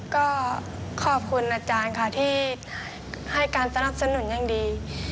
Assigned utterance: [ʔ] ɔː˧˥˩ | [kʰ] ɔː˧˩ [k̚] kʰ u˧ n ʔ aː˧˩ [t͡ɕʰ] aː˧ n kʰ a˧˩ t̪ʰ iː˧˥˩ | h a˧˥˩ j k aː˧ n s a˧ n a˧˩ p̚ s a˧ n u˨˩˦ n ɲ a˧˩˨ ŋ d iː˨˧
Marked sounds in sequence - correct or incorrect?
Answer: incorrect: k, correct, incorrect: p̚, incorrect: t͡ɕ

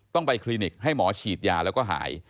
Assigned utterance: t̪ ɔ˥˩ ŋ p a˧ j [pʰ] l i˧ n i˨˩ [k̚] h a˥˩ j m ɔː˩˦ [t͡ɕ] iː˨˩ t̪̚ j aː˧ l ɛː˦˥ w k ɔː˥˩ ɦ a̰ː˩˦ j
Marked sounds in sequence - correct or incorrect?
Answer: incorrect: kʰ, correct, incorrect: t͡ɕʰ

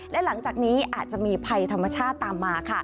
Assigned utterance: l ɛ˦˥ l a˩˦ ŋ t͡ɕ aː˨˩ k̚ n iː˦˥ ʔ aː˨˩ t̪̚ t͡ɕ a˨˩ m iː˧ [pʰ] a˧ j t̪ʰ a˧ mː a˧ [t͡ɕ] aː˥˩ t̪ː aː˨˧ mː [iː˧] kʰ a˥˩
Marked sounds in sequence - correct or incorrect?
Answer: correct, incorrect: t͡ɕʰ, incorrect: aː˧

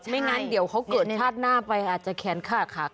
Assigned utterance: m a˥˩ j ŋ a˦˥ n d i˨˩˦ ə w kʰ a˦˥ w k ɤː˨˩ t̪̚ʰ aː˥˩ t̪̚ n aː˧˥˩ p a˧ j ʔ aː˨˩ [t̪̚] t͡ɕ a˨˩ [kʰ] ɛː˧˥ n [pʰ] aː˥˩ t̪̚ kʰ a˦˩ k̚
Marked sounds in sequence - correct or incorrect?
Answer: correct, correct, incorrect: kʰ

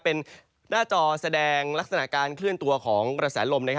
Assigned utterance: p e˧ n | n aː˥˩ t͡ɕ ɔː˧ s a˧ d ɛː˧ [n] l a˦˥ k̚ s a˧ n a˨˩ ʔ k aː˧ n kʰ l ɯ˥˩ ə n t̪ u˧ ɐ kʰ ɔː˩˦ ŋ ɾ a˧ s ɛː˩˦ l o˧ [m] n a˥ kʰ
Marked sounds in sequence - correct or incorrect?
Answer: incorrect: ŋ, correct

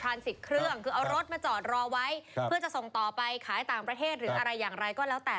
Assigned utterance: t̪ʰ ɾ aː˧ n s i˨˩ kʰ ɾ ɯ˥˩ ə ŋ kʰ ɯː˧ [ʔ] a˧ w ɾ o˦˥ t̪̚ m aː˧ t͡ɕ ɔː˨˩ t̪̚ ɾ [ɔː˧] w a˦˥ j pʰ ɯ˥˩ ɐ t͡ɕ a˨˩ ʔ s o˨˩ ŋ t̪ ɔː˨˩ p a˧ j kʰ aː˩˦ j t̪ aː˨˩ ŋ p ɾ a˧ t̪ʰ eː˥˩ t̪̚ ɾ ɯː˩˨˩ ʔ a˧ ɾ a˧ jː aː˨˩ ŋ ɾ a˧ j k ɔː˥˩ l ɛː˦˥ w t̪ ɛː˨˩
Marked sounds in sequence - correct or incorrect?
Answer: correct, correct

